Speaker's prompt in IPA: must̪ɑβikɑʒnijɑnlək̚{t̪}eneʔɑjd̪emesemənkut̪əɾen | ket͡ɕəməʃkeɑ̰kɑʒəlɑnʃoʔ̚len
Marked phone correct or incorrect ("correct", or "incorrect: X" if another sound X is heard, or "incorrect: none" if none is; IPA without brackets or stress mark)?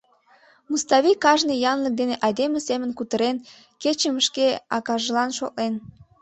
incorrect: d̪